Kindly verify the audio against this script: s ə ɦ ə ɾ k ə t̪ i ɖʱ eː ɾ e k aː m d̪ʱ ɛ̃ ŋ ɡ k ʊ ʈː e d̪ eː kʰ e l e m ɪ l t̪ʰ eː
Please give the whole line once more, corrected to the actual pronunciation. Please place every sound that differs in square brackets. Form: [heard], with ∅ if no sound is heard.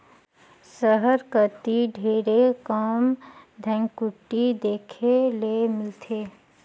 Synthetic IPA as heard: s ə ɦ ə ɾ k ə t̪ i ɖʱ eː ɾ e k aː m d̪ʱ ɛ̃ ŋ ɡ k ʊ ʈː [i] d̪ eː kʰ e l e m ɪ l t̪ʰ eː